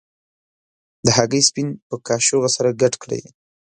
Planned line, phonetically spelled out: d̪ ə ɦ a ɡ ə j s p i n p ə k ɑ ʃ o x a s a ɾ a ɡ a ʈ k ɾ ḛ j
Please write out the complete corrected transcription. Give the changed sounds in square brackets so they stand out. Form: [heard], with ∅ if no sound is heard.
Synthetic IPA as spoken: d̪ ə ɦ a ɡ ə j s p i n p ə k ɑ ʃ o [ɣ] a s a ɾ a ɡ a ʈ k [ɽ] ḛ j